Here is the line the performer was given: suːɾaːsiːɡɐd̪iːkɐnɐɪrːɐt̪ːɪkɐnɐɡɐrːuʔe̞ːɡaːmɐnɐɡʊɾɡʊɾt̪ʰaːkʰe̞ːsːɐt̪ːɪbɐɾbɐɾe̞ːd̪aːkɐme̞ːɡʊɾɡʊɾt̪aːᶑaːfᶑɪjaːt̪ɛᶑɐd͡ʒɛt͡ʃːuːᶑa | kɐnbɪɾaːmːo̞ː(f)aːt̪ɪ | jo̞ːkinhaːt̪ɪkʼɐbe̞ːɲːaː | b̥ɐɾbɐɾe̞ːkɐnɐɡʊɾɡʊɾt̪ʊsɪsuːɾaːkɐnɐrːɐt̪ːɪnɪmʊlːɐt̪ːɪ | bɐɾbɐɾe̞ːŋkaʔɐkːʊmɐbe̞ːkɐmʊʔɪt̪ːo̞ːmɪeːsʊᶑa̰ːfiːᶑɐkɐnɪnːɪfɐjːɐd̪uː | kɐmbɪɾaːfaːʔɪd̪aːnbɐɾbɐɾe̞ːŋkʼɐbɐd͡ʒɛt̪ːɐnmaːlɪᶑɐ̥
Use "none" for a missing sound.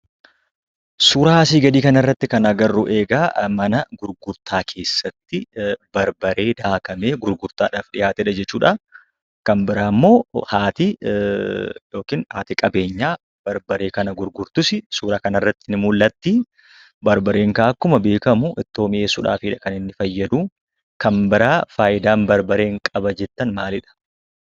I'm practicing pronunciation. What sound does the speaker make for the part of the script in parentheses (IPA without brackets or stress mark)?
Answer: h